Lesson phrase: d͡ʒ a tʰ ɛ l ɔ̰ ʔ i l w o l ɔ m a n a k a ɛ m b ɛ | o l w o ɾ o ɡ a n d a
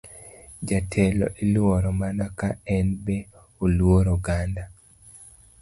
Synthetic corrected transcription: d͡ʒ a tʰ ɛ l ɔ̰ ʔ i l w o ɾ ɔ m a n a k a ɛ n b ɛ | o l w o ɾ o ɡ a n d a